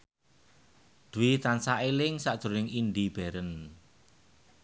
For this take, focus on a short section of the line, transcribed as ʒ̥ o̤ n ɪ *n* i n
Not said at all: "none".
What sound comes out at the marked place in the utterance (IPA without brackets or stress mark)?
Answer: ŋ